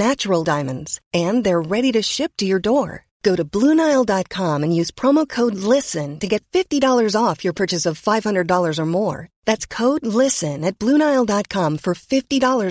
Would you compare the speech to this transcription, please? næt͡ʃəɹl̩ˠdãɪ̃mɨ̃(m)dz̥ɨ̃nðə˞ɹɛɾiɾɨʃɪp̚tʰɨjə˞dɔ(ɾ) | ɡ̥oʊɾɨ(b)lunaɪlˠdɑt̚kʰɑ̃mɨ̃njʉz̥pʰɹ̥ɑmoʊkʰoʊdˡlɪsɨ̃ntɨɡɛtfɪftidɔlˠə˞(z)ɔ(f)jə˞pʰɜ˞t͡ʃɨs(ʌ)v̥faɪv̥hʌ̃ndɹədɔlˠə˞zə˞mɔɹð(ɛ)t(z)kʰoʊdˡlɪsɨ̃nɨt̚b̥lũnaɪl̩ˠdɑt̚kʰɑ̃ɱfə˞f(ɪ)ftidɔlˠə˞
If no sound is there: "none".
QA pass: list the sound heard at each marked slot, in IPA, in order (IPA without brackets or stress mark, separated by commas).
n, ɹ, b, z, f, ʌ, æ, s, ɪ